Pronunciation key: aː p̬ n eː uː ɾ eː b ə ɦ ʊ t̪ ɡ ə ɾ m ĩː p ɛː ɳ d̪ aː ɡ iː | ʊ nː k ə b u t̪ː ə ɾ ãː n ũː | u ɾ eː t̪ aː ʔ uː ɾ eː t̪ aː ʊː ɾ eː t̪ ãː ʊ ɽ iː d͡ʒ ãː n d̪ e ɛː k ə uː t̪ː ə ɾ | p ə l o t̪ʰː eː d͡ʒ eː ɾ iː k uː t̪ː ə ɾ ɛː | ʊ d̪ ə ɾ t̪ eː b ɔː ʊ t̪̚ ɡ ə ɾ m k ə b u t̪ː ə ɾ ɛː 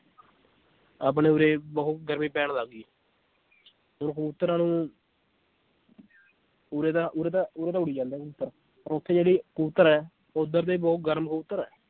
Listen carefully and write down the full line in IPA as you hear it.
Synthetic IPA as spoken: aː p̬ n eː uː ɾ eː b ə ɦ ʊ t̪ ɡ ə ɾ m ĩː p ɛː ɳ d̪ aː ɡ iː | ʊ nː k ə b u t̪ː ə ɾ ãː n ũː | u ɾ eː t̪ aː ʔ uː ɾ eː t̪ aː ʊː ɾ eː t̪ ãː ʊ ɽ iː d͡ʒ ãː n d̪ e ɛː k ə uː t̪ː ə ɾ | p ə ɾ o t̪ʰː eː d͡ʒ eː ɽ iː k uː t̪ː ə ɾ ɛː | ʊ d̪ ə ɾ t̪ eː b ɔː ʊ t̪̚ ɡ ə ɾ m k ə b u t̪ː ə ɾ ɛː